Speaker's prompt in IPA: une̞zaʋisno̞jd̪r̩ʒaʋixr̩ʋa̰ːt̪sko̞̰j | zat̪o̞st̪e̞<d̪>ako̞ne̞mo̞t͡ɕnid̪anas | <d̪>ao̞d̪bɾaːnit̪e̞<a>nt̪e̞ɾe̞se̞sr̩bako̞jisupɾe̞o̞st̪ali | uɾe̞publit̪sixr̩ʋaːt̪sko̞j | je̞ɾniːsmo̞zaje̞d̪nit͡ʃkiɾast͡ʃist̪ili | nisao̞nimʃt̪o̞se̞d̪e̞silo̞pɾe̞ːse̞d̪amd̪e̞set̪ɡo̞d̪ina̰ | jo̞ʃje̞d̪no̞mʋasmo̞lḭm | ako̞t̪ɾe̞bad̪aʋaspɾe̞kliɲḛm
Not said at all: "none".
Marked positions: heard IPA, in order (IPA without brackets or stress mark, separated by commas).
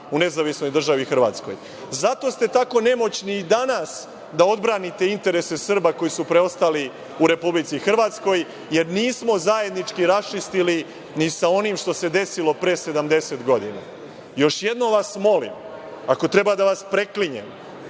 t̪, d̪, i